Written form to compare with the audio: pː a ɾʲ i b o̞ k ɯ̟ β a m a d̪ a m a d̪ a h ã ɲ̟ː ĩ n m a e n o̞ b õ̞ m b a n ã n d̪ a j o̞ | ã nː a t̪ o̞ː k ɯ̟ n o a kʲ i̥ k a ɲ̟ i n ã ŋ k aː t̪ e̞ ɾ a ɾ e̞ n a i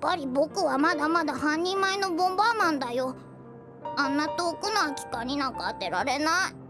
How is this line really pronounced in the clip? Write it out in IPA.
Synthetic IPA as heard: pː a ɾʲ i b o̞ k ɯ̟ β a m a d̪ a m a d̪ a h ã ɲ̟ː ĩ m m a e n o̞ b õ̞ m b a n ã n d̪ a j o̞ | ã nː a t̪ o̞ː k ɯ̟ n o a kʲ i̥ k a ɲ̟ i n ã ŋ k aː t̪ e̞ ɾ a ɾ e̞ n a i